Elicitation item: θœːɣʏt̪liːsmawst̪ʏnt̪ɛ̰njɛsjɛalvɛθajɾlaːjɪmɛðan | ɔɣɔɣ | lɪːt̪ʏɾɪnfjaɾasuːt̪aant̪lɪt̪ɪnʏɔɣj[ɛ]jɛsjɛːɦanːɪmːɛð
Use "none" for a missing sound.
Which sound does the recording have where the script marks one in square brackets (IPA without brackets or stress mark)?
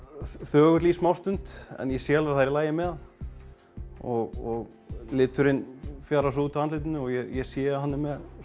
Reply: ɛ